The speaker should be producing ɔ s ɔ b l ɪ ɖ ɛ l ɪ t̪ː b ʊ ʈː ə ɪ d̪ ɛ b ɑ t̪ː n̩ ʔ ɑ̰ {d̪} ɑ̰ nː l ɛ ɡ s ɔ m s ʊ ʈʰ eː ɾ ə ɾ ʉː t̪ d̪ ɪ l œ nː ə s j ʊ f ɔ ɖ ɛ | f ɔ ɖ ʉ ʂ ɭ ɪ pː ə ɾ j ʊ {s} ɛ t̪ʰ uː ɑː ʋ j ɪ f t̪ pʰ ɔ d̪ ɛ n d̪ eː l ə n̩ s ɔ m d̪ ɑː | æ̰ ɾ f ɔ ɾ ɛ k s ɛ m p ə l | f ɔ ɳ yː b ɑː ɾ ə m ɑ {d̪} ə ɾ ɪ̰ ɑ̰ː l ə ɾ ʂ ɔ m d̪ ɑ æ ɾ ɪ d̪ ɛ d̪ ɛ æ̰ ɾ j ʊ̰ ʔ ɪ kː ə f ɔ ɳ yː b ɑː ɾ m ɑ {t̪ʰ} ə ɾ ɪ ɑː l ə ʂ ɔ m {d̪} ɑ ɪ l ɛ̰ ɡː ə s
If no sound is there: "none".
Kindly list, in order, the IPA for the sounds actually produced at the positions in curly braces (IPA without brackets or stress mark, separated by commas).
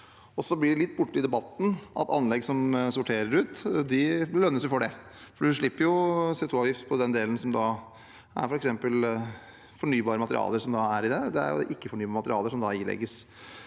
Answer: t̪, s, t̪, t̪, d̪